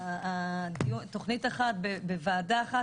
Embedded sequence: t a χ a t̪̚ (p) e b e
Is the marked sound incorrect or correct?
incorrect